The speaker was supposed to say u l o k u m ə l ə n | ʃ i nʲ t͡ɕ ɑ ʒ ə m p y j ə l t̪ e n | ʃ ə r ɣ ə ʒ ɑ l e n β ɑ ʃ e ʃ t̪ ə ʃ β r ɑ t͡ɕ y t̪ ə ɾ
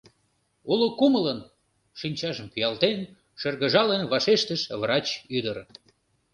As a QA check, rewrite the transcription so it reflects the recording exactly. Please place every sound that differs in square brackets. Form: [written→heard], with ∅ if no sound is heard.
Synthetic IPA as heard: u l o k u m ə l ə n | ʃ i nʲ t͡ɕ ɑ ʒ ə m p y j [ə→ɑ] l t̪ e n | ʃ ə r ɣ ə ʒ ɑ l e n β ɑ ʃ e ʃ t̪ ə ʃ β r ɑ t͡ɕ y [t̪→d̪] ə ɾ